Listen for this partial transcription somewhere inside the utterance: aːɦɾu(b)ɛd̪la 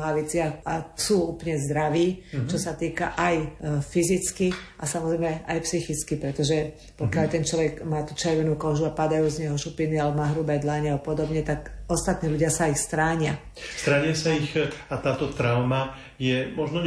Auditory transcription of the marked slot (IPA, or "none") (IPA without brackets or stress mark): b